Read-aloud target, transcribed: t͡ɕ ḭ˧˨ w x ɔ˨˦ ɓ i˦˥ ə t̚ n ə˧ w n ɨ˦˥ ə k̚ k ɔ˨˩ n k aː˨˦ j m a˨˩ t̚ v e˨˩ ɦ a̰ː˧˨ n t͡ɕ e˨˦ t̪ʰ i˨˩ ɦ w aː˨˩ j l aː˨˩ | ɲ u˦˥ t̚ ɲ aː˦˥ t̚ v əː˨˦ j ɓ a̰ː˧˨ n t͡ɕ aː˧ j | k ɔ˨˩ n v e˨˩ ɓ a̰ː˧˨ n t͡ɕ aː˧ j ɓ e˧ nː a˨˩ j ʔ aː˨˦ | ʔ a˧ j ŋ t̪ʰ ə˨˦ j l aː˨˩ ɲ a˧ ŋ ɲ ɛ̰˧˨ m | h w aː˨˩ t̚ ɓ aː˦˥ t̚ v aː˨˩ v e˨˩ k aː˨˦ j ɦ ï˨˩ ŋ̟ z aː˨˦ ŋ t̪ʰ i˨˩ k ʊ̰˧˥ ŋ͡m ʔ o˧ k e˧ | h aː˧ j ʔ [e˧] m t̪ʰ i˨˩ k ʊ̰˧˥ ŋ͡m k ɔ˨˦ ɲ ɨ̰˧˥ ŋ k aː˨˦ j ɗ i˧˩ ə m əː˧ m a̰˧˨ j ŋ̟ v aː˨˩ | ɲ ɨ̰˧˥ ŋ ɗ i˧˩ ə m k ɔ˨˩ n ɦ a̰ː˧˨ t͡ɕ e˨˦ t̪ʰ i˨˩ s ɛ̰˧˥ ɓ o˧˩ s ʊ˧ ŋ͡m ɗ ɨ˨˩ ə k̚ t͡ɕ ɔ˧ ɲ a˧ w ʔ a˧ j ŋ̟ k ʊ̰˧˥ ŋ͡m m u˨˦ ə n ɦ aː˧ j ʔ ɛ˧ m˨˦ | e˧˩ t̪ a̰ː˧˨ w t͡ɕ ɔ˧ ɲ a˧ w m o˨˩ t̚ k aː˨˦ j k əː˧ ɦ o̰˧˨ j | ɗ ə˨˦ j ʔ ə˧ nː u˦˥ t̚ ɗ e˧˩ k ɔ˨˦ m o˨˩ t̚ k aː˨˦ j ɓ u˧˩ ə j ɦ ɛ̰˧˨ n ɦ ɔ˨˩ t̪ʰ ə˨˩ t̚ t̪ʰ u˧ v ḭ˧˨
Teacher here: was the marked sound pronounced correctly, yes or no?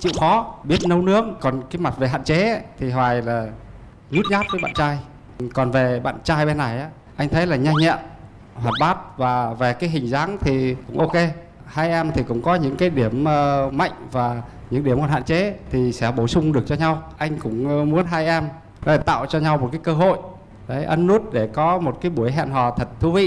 no